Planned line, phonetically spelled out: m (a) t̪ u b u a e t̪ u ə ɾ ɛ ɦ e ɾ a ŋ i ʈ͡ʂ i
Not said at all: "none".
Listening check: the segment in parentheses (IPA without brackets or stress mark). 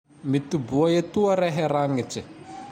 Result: i